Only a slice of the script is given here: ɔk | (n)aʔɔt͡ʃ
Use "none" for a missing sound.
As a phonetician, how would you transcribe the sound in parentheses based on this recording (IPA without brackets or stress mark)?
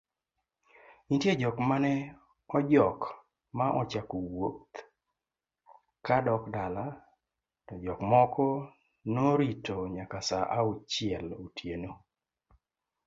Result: m